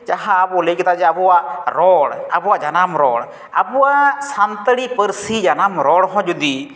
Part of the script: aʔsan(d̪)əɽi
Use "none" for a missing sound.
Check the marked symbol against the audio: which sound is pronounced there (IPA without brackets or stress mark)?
t̪